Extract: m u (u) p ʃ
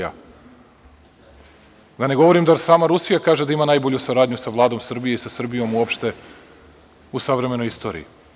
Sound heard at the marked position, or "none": o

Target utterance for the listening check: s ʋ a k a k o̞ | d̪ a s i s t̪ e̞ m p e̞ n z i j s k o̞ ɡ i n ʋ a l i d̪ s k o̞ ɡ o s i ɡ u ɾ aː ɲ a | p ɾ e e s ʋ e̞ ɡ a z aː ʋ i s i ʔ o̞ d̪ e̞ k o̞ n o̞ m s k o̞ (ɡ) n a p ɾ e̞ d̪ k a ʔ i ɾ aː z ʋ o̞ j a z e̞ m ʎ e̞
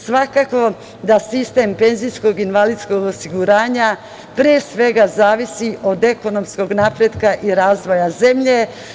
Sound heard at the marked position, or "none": ɡ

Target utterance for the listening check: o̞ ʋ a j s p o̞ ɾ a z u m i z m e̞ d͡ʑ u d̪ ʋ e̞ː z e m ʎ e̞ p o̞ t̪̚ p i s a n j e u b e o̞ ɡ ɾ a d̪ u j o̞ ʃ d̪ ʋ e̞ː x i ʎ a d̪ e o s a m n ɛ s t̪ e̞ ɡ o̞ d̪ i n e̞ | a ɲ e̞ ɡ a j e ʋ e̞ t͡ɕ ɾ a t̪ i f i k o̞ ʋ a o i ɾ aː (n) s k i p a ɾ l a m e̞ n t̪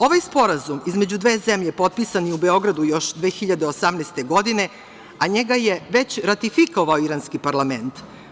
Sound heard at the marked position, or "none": n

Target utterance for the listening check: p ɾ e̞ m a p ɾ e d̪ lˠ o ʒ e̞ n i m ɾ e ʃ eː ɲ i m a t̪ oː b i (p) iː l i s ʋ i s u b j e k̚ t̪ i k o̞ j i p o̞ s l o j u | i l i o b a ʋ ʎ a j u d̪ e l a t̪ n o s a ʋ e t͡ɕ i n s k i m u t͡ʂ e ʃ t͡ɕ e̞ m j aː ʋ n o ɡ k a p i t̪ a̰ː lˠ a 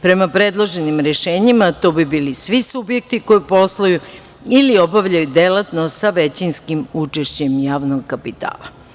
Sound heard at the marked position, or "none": b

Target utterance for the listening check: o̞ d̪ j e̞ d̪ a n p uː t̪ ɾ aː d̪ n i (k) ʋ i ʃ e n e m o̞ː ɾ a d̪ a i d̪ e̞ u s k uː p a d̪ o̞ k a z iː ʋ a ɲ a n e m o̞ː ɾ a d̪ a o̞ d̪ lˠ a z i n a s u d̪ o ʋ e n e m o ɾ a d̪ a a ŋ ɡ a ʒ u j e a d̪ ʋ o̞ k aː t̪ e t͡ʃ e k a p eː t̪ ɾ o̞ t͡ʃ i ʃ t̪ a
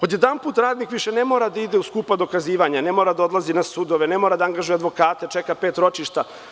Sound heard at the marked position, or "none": k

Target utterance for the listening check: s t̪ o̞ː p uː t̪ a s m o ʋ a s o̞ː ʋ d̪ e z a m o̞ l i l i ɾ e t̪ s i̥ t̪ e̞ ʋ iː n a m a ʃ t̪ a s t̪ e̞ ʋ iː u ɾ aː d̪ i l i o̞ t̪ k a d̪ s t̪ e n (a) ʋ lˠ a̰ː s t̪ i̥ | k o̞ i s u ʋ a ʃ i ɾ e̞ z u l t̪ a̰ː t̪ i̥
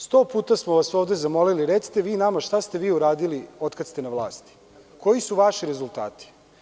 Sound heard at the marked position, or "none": a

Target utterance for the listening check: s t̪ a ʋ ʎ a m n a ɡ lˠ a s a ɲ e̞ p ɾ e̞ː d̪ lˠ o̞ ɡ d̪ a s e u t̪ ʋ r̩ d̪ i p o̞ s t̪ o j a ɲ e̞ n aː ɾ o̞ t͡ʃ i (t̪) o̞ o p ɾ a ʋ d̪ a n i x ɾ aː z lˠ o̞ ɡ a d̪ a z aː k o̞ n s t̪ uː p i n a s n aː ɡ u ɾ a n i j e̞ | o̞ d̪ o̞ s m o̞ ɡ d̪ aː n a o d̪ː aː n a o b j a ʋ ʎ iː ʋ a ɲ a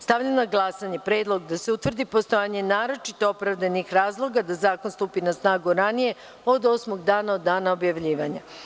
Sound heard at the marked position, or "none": t̪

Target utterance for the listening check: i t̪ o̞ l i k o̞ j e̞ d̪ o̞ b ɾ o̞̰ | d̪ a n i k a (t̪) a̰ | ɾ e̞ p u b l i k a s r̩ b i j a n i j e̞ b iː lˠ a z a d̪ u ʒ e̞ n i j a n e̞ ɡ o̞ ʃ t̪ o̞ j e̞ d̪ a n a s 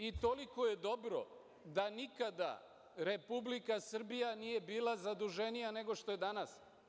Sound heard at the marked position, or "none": d̪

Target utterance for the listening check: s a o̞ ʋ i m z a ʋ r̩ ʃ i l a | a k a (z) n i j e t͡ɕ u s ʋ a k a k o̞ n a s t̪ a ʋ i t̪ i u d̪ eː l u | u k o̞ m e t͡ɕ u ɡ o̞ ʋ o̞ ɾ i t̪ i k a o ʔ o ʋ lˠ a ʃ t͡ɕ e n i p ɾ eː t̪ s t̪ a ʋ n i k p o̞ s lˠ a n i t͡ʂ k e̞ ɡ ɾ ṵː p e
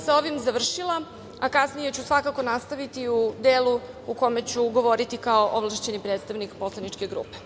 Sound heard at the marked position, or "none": s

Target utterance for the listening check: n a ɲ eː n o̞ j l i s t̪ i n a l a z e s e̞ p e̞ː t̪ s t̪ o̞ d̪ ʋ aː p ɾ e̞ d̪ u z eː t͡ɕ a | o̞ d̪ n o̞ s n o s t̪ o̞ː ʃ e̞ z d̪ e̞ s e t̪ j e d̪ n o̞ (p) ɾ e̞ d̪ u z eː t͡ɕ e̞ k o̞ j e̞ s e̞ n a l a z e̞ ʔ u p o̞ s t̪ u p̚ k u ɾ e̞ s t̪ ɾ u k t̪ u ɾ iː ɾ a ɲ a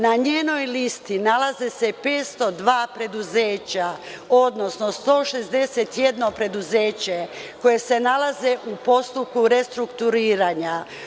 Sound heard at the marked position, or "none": p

